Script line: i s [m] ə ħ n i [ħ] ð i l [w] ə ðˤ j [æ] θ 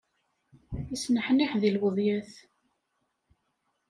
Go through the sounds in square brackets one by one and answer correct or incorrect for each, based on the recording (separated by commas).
incorrect, correct, correct, correct